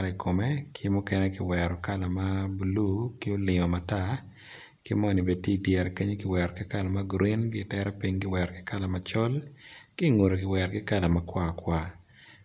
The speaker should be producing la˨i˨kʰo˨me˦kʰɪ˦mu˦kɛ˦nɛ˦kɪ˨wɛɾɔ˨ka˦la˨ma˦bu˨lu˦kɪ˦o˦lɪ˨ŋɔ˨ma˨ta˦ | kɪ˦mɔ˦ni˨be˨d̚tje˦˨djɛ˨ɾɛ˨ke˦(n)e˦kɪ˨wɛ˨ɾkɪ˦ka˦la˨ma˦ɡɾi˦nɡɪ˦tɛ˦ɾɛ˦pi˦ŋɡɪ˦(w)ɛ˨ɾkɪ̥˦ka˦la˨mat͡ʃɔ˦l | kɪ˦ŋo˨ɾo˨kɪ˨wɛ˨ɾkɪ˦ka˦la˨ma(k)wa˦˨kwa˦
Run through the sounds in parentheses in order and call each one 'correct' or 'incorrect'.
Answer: incorrect, correct, correct

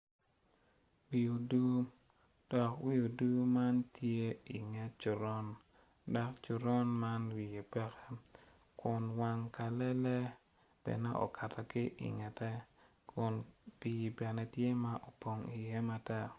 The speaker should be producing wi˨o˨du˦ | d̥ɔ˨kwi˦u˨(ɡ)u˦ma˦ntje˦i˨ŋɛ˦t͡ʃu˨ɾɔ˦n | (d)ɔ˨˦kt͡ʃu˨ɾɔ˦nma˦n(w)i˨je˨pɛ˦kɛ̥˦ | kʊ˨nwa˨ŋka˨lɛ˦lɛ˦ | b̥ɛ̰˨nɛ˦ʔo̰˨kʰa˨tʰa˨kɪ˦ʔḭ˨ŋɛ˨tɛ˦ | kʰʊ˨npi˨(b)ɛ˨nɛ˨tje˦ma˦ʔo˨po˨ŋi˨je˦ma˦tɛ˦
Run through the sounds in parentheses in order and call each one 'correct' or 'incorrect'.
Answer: incorrect, correct, correct, correct

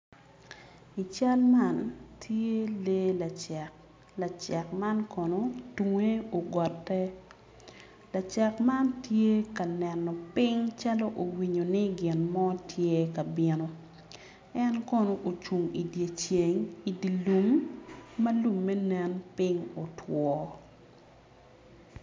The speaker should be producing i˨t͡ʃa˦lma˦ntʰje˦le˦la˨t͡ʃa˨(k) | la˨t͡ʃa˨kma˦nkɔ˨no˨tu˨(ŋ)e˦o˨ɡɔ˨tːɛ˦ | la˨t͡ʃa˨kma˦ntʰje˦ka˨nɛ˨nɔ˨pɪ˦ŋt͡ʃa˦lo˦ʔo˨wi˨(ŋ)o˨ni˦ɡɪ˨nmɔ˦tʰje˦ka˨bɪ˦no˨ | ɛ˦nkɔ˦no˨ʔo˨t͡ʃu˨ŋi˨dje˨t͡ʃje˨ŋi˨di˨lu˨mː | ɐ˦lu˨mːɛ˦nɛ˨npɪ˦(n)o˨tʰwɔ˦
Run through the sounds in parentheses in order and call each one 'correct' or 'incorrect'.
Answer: correct, correct, incorrect, incorrect

